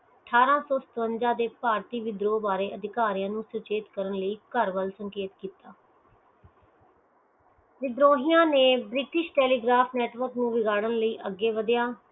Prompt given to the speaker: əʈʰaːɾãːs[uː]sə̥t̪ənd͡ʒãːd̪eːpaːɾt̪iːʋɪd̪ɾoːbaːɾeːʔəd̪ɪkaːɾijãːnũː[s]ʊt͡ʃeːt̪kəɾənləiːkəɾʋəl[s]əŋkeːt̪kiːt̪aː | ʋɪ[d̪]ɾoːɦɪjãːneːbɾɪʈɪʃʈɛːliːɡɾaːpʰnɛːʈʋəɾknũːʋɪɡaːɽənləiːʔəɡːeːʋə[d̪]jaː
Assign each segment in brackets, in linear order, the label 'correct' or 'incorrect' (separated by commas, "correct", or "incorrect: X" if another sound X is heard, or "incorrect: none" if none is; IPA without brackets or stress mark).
incorrect: ɔː, correct, correct, correct, correct